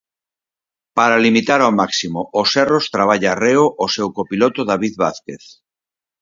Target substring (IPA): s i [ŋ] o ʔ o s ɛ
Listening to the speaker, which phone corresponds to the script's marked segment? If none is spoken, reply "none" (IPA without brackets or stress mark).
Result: m